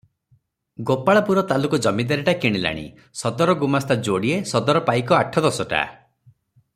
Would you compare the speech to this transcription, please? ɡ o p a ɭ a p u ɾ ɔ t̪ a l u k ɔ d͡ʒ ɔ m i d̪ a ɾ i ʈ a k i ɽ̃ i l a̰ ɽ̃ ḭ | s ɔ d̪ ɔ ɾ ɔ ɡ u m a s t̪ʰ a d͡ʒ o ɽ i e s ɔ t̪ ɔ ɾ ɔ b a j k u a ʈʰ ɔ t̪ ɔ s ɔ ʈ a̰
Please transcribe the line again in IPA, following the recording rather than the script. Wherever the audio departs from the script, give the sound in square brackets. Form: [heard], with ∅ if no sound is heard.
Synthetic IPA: ɡ o p a ɭ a p u ɾ ɔ t̪ a l u k ɔ d͡ʒ ɔ m i d̪ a ɾ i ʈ a k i ɽ̃ i l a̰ ɽ̃ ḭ | s ɔ d̪ ɔ ɾ ɔ ɡ u m a s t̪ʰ a d͡ʒ o ɽ i e s ɔ [d̪] ɔ ɾ ɔ [p] a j k [ɔ] a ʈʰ ɔ [d̪] ɔ s ɔ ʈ a̰